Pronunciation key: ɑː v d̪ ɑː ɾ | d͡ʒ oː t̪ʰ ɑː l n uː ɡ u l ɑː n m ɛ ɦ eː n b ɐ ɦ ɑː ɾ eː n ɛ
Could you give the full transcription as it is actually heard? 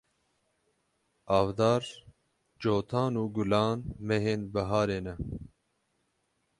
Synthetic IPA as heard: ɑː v d̪ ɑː ɾ | d͡ʒ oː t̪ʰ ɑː n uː ɡ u l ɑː n m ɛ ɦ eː n b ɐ ɦ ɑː ɾ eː n ɛ

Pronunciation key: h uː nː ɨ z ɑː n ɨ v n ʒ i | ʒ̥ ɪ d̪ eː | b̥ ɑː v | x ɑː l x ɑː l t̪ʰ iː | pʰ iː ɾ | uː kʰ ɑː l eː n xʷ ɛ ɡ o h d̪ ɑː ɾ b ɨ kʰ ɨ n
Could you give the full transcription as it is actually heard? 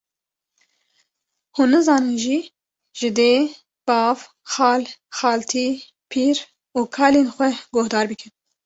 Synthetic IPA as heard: h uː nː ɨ z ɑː n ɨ n ʒ i | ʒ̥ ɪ d̪ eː | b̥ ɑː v | x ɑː l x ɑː l t̪ʰ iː | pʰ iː ɾ | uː kʰ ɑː l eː n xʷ ɛ ɡ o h d̪ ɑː ɾ b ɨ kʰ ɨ n

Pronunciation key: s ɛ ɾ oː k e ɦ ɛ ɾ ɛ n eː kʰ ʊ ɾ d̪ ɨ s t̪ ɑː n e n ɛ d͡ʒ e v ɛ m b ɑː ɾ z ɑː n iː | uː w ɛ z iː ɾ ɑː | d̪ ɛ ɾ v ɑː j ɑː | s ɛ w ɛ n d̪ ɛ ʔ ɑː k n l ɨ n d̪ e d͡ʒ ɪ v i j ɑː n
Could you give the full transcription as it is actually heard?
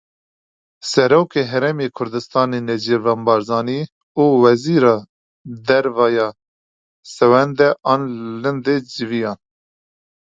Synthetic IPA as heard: s ɛ ɾ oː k e ɦ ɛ ɾ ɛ m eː kʰ ʊ ɾ d̪ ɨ s t̪ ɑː n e n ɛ d͡ʒ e v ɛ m b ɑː ɾ z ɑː n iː | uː w ɛ z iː ɾ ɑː | d̪ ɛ ɾ v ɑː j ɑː | s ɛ w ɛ n d̪ ɛ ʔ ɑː n l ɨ n d̪ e d͡ʒ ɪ v i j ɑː n

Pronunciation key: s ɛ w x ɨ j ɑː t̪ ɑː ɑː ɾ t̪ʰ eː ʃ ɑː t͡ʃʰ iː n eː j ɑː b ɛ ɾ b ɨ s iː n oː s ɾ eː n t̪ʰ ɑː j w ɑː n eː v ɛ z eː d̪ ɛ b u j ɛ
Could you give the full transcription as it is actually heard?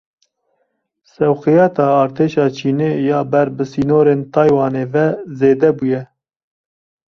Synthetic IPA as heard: s ɛ w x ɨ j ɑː t̪ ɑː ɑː ɾ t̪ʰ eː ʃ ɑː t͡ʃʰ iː n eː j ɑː b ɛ ɾ b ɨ s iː n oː ɾ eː n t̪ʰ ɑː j w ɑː n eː v ɛ z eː d̪ ɛ b u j ɛ

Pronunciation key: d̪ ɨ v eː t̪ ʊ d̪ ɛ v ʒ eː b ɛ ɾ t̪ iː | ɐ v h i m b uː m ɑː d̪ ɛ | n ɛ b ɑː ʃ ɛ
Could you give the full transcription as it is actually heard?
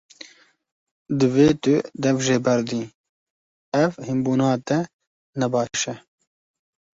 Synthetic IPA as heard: d̪ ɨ v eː t̪ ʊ d̪ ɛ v ʒ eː b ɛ ɾ d̪ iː | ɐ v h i m b uː n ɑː t̪ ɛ | n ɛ b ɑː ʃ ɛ

